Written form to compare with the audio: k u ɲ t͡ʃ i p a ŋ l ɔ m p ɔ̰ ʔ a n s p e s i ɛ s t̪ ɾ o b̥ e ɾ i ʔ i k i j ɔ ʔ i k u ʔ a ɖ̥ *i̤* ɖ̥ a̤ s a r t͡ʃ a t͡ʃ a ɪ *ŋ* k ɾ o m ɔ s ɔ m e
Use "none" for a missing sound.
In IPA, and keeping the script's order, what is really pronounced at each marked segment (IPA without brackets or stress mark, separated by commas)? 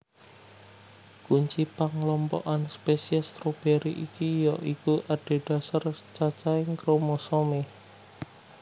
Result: e̤, ŋ